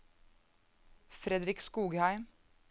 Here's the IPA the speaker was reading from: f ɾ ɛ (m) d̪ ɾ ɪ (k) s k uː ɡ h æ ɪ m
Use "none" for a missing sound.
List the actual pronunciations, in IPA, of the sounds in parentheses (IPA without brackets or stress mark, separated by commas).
none, k